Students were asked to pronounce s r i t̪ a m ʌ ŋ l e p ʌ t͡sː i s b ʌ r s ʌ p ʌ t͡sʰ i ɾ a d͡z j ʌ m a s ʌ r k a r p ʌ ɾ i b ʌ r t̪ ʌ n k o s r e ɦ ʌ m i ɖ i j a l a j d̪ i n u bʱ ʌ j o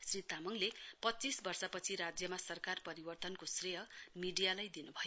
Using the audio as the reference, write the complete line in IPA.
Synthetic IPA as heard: s r i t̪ a m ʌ ŋ l e p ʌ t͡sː i s b ʌ r s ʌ p ʌ t͡sʰ i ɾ a d͡z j ʌ m a s ʌ r k a r p ʌ ɾ i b ʌ r t̪ ʌ n k o s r e ɦ ʌ m i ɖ i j a l a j d̪ i n u bʱ ʌ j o